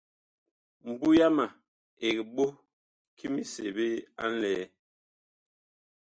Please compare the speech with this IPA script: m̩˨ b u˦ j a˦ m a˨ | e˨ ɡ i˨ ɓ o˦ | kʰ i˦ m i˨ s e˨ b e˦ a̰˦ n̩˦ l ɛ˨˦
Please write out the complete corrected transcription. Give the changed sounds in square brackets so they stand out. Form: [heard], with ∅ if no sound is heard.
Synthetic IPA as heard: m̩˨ b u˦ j a˦ m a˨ | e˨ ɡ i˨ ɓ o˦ | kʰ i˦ m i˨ s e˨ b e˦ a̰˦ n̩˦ l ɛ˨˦